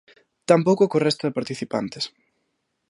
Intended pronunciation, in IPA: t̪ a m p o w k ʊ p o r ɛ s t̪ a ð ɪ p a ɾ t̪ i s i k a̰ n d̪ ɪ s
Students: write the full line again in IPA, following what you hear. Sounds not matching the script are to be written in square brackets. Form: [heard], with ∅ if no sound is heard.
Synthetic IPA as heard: t̪ a m p o w k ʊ [k] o r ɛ s t̪ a ð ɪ p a ɾ t̪ i [θ] i [p] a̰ n [t̪] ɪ s